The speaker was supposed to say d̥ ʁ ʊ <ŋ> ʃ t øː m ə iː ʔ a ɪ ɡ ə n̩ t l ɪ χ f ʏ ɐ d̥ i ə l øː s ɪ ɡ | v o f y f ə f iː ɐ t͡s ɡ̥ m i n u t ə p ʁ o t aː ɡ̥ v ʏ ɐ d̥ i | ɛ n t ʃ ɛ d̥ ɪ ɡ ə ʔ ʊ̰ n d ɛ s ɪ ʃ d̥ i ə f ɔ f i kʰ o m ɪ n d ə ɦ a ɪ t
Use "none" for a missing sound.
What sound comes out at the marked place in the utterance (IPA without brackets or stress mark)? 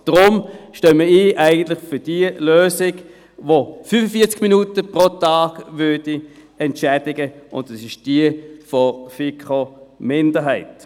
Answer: m